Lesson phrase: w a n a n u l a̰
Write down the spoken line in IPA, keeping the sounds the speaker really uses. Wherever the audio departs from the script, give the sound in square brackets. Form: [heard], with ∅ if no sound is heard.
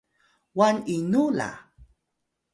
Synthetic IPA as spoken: w a n [i] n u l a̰